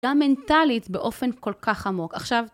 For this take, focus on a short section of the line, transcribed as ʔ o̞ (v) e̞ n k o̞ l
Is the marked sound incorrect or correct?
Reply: incorrect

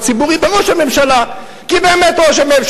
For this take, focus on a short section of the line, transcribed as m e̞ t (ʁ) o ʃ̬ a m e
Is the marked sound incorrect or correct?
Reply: correct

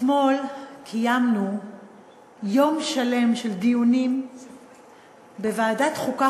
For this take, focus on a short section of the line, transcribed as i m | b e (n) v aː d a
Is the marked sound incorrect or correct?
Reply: incorrect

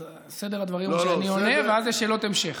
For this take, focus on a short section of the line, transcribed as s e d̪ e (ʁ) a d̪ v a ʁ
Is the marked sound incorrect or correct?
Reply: correct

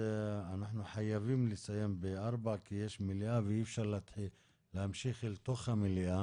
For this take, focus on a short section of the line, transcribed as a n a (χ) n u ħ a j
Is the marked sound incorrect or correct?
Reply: incorrect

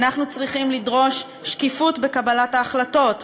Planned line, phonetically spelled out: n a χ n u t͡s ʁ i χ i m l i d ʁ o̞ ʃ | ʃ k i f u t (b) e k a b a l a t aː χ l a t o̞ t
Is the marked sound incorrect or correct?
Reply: correct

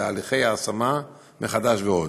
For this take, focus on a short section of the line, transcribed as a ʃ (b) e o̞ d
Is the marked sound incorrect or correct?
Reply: incorrect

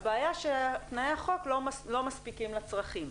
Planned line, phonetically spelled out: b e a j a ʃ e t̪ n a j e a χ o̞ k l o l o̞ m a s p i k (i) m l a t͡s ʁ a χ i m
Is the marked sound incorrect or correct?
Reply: correct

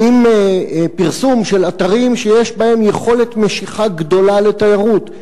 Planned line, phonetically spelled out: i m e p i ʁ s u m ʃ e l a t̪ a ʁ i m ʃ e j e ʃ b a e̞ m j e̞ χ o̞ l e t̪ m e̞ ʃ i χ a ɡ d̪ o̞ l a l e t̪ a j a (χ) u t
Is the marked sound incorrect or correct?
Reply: incorrect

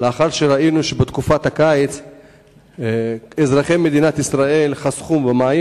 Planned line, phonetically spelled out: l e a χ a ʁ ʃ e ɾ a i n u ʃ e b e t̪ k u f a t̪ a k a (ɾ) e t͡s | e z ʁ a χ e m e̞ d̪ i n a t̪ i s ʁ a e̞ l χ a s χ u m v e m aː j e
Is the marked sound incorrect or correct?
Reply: incorrect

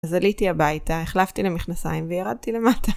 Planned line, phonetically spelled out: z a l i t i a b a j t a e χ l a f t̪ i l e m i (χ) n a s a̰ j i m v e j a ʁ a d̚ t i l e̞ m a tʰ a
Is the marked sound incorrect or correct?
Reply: correct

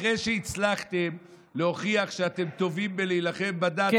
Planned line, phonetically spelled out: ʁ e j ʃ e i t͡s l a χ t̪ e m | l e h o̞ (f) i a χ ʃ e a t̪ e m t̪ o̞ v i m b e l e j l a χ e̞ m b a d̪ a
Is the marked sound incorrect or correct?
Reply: incorrect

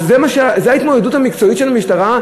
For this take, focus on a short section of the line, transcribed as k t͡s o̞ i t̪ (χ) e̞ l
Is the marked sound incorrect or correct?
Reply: incorrect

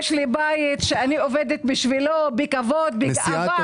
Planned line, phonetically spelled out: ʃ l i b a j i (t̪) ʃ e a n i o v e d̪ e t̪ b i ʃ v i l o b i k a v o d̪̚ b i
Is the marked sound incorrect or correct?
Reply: correct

